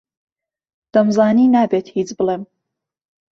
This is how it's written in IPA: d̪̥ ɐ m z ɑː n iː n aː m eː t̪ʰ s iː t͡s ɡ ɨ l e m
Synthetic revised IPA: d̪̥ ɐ m z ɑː n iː n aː b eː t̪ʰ h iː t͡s b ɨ l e m

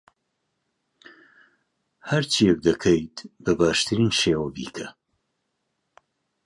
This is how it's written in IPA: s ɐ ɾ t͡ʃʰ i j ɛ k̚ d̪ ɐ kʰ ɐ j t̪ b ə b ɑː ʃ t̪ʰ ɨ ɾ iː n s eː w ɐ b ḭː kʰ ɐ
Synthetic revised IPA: h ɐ ɾ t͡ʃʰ i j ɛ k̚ d̪ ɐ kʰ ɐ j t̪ b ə b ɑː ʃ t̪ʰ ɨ ɾ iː n ʃ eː w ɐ b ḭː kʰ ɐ

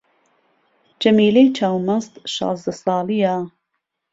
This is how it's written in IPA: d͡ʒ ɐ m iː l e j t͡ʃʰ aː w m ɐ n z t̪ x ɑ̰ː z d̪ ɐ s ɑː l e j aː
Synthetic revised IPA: d͡ʒ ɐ m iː l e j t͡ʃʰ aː w m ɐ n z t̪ ʃ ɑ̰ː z d̪ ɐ s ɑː l i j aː

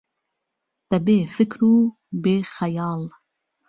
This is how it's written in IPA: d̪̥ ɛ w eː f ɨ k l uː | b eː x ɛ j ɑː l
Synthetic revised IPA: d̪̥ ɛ b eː f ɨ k ɾ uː | b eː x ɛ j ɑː l

